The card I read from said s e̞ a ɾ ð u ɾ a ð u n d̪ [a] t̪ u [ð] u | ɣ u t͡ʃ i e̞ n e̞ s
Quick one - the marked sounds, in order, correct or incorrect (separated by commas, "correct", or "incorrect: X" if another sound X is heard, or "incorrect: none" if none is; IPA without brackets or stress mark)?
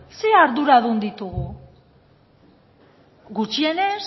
incorrect: i, incorrect: ɣ